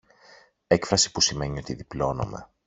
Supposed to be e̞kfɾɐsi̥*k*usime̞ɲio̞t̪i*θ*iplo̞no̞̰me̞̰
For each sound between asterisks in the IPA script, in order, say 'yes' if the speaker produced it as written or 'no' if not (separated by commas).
no, no